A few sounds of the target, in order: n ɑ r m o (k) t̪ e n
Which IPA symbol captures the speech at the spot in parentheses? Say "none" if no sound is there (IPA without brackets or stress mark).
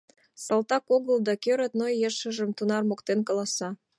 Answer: k